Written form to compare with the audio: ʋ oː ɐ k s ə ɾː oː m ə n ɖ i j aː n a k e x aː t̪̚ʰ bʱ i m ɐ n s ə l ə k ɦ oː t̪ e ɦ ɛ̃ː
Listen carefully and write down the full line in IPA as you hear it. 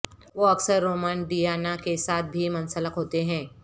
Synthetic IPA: ʋ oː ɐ k s ə ɾː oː m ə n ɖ i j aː n a k e s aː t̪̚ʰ bʱ i m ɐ n s ə l ə k ɦ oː t̪ e ɦ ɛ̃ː

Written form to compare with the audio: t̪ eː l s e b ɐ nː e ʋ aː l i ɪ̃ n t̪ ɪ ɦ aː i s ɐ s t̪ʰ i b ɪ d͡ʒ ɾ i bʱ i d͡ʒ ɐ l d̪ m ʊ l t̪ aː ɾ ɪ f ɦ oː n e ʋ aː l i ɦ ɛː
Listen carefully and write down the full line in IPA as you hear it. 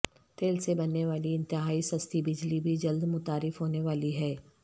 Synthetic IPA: t̪ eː l s e b ɐ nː e ʋ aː l i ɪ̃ n t̪ ɪ ɦ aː i s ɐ s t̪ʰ i b ɪ d͡ʒ l i bʱ i d͡ʒ ɐ l d̪ m ʊ t̪ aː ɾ ɪ f ɦ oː n e ʋ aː l i ɦ ɛː

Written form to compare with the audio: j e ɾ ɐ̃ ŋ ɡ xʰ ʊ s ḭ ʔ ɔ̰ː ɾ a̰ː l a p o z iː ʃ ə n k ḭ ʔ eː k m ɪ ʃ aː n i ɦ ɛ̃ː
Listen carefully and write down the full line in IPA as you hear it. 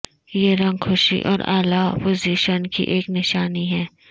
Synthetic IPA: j e ɾ ɐ̃ ŋ ɡ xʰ ʊ ʃ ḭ ʔ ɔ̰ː ɾ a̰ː l a p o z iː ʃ ə n k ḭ ʔ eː k n ɪ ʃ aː n i ɦ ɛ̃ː

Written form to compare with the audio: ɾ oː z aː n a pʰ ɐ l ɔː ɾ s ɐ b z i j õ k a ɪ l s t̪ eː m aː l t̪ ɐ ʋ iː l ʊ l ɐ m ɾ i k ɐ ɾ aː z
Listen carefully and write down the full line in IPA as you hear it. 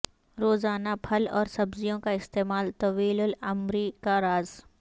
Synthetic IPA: ɾ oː z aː n a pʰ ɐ l ɔː ɾ s ɐ b z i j õ k a ɪ s t̪ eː m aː l t̪ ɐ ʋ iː l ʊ l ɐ m ɾ i k a ɾ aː z

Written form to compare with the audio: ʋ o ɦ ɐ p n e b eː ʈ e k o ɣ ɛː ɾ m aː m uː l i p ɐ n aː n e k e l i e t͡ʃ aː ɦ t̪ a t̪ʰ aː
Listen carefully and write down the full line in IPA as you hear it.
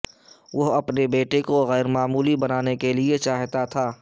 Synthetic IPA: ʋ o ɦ ɐ p n e b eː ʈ e k o ɣ ɛː ɾ m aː m uː l i b ɐ n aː n e k e l i e t͡ʃ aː ɦ t̪ a t̪ʰ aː

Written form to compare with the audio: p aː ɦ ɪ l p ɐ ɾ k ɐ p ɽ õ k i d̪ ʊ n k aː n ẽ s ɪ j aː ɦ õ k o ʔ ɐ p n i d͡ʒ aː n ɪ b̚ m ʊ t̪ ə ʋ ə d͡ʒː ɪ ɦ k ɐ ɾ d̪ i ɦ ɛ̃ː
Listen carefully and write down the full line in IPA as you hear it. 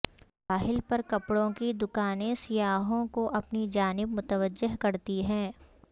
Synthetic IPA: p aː ɦ ɪ l p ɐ ɾ k ɐ p ɽ õ k i d̪ ʊ k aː n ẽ s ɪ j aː ɦ õ k o ʔ ɐ p n i d͡ʒ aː n ɪ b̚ m ʊ t̪ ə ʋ ə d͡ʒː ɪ ɦ k ɐ ɾ t̪ i ɦ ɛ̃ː

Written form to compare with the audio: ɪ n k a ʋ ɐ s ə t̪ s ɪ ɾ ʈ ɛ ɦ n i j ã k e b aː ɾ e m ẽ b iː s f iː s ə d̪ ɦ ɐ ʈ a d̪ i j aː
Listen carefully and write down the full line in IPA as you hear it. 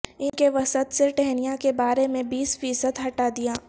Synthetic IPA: ɪ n k e ʋ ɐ s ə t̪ s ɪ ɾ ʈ ɛ ɦ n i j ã k e b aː ɾ e m ẽ b iː s f iː s ə d̪ ɦ ɐ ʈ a d̪ i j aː

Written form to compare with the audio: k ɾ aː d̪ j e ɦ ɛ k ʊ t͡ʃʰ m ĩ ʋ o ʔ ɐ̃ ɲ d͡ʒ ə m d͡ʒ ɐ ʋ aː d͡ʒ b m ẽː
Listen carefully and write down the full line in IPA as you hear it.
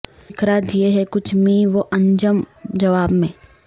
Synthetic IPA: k ɾ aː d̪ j e ɦ ɛ k ʊ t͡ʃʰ m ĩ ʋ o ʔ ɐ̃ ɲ d͡ʒ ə m d͡ʒ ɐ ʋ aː b m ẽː

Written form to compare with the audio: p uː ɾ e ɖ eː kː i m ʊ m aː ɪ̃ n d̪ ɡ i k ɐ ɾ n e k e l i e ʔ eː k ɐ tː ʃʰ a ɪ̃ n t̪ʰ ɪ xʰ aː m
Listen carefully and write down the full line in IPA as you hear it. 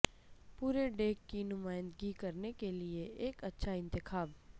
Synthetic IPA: p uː ɾ e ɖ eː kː i n ʊ m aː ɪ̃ n d̪ ɡ i k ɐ ɾ n e k e l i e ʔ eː k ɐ tː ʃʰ a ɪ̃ n t̪ ɪ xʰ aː b

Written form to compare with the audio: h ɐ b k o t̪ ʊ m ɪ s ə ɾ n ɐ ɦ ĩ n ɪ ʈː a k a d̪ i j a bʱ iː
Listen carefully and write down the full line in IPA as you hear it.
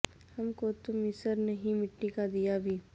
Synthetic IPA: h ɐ m k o t̪ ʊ m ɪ s ə ɾ n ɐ ɦ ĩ m ɪ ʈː i k a d̪ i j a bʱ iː

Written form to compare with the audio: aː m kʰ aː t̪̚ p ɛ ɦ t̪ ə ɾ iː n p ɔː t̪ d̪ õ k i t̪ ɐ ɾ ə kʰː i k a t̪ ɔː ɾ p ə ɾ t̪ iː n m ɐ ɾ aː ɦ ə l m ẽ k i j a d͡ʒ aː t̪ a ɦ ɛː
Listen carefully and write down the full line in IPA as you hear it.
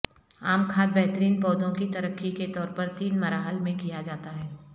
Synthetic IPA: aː m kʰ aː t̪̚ b ɛ ɦ t̪ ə ɾ iː n p ɔː d̪ õ k i t̪ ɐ ɾ ə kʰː i k e t̪ ɔː ɾ p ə ɾ t̪ iː n m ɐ ɾ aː ɦ ə l m ẽ k i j a d͡ʒ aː t̪ a ɦ ɛː

